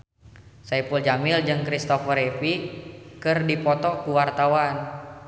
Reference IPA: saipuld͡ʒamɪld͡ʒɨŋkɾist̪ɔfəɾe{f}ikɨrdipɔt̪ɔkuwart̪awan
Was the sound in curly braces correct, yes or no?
yes